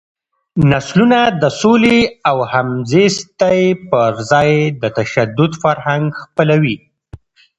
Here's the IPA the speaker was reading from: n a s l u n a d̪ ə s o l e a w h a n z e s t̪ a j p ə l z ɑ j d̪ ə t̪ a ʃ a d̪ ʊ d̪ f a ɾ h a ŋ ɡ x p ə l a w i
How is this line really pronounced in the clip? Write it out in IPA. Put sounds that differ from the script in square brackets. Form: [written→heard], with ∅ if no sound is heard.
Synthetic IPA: n a s l u n a d̪ ə s o l e a w h a [n→m] z e s t̪ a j p ə [l→ɾ] z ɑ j d̪ ə t̪ a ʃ a d̪ ʊ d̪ f a ɾ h a ŋ ɡ x p ə l a w i